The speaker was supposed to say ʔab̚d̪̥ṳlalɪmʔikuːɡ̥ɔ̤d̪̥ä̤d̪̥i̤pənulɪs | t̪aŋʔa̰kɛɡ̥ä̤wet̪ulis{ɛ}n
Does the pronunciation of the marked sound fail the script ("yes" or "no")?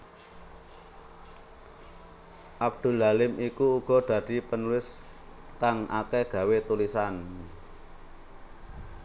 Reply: yes